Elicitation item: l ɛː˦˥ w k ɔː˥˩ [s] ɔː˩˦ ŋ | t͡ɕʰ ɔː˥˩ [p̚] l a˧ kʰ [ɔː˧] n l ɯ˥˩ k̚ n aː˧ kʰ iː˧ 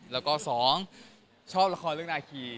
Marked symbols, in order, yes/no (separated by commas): yes, yes, yes